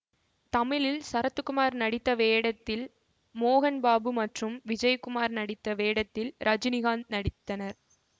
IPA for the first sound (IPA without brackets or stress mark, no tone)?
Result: t̪